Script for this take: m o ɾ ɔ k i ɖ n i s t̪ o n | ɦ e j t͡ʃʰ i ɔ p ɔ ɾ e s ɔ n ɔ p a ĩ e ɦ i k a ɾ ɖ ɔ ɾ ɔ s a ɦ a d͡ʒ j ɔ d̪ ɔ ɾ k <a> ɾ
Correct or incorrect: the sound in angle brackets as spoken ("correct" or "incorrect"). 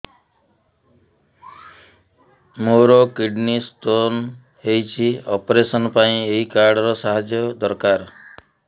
correct